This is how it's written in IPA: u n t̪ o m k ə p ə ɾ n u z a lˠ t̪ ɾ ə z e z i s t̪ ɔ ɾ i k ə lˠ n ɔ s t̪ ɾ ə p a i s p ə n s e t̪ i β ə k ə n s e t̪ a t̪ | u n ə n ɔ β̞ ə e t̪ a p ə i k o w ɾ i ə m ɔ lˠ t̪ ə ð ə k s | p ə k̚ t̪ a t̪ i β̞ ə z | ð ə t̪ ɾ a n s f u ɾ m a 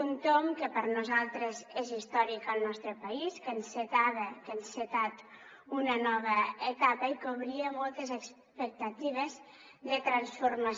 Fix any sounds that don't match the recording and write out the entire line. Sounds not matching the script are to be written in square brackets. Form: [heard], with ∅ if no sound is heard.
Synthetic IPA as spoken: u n t̪ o m k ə p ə ɾ n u z a lˠ t̪ ɾ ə z e z i s t̪ ɔ ɾ i k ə lˠ n ɔ s t̪ ɾ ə p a i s [k] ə n s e t̪ [a] β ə k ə n s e t̪ a t̪ | u n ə n ɔ β̞ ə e t̪ a p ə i k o [β] ɾ i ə m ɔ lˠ t̪ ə [z] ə k s | p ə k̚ t̪ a t̪ i β̞ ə z | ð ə t̪ ɾ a n s f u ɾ m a